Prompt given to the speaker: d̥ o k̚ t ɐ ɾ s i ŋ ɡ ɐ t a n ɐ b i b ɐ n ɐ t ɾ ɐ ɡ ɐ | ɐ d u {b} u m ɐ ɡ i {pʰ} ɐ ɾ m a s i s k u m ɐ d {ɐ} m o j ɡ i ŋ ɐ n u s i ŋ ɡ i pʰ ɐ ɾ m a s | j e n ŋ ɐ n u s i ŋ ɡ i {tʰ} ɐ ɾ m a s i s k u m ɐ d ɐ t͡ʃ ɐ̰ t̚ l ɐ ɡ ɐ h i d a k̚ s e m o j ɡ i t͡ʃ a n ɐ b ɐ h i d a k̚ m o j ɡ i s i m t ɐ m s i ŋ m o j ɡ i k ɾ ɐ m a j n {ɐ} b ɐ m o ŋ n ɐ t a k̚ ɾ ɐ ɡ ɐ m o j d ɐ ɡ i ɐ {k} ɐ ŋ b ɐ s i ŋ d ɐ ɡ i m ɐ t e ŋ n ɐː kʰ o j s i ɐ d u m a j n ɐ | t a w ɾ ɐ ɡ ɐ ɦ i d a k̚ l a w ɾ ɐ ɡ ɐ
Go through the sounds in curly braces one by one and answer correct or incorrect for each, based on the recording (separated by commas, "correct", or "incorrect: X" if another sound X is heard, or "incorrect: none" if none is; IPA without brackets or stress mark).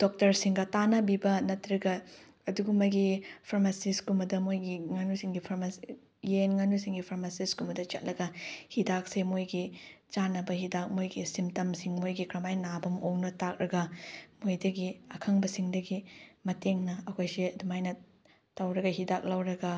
incorrect: ɡ, correct, correct, incorrect: pʰ, incorrect: a, incorrect: kʰ